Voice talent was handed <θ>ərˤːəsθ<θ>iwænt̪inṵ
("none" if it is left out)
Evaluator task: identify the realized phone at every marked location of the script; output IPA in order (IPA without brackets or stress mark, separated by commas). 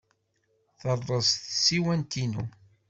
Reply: θ, s